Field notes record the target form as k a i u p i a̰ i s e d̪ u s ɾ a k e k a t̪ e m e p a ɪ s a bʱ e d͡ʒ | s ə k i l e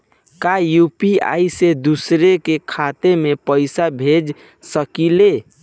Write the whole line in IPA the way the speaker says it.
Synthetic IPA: k a j u p i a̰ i s e d̪ u s ɾ e k e kʰ a t̪ e m e p ə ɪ s a bʱ e d͡ʒ | s ə k i l e